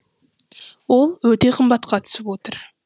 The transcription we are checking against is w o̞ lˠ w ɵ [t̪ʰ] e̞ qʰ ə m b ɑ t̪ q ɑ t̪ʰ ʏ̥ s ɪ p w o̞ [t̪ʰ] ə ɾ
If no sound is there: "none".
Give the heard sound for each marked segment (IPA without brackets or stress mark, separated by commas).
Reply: t̪, t̪